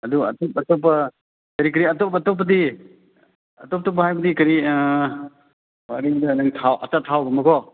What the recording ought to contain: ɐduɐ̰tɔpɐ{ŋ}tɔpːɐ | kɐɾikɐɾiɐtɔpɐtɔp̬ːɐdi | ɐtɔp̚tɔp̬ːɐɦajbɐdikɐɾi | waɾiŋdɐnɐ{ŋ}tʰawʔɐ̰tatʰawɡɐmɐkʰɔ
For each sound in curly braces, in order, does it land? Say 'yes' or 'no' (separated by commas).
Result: no, yes